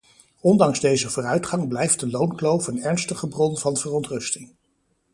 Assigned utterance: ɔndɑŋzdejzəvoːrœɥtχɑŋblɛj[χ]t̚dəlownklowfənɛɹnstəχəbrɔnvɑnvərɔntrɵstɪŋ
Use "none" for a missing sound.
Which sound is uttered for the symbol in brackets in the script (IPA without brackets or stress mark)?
f